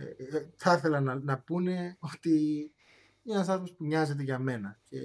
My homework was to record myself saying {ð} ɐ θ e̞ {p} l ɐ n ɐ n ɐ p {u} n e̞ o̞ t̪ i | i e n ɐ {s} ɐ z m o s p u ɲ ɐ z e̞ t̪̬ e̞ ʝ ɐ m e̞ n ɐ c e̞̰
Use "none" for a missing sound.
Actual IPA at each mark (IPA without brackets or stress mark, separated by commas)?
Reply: θ, none, u, s